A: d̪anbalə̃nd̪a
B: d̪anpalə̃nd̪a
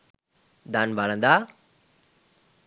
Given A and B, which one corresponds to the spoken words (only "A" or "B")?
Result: A